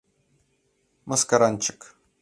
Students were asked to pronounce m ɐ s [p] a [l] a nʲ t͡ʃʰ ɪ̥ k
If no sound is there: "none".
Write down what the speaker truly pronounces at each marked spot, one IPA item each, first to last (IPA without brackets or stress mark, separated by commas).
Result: k, ɾ